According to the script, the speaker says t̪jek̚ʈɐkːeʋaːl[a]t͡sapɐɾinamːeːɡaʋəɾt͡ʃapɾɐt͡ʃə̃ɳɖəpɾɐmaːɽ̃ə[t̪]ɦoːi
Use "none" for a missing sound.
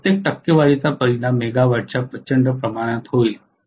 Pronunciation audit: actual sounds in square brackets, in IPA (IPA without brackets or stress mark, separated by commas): i, t̪